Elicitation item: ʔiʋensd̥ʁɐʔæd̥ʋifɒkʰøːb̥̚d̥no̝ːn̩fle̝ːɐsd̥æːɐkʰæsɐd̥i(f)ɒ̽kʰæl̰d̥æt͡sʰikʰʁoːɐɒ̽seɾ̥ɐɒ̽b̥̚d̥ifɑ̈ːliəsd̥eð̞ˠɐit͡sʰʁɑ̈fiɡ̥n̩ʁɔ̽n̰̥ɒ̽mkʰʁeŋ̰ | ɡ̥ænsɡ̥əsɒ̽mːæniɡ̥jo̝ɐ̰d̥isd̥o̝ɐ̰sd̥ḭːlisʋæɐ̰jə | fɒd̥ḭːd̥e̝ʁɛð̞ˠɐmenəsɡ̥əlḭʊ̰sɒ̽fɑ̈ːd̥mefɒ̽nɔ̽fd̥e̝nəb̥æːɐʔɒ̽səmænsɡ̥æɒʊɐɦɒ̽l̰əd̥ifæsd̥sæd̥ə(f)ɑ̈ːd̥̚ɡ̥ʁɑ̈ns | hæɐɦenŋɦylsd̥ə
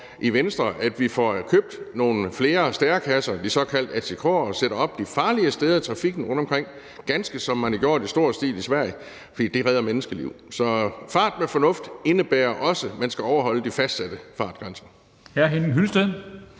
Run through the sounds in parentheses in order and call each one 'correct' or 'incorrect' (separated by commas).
incorrect, correct